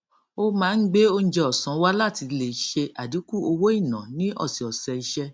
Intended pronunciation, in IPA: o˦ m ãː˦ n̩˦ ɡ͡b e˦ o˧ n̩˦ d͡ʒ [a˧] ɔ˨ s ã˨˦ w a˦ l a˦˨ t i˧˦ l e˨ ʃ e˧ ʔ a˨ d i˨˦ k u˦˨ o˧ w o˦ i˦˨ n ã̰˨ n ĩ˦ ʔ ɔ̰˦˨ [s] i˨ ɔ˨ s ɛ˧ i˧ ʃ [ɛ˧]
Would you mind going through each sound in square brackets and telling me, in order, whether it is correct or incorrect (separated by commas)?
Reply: incorrect, correct, correct